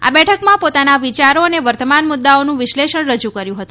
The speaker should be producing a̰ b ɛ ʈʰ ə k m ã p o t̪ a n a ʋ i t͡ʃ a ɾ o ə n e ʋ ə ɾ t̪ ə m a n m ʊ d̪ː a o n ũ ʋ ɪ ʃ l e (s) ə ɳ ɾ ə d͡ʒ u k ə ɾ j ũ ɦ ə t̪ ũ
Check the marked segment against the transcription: incorrect: ʃ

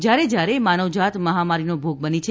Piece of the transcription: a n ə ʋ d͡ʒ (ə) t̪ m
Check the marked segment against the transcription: incorrect: a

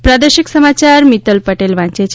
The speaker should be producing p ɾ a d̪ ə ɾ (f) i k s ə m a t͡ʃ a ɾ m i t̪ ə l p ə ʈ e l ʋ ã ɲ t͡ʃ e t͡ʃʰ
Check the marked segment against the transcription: incorrect: ʃ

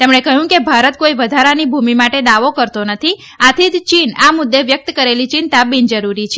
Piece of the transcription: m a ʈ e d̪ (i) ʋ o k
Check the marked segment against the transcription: incorrect: a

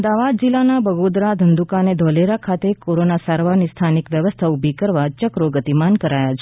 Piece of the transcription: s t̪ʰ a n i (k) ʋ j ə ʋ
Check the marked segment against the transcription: correct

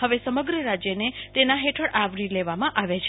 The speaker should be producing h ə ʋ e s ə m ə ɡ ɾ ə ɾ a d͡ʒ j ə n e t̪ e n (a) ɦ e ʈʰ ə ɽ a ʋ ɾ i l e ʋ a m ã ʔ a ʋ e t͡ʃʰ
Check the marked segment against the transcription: correct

